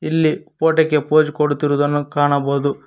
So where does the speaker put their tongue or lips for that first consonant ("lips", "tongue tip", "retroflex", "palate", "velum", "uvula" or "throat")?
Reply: tongue tip